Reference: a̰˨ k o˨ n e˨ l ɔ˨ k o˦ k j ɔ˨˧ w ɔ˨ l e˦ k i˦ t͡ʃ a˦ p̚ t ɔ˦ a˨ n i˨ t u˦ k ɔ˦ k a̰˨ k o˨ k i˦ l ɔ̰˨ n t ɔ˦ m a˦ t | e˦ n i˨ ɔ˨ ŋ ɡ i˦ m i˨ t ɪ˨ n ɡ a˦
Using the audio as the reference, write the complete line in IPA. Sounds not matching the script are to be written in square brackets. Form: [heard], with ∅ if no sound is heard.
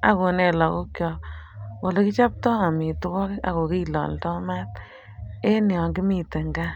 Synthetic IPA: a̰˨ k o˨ n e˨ l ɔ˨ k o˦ k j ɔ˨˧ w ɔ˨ l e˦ k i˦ t͡ʃ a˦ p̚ t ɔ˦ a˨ [m] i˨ t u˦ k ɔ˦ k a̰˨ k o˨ k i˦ l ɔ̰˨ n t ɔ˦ m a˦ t | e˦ n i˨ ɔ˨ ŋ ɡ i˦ m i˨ t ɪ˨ [ŋ] ɡ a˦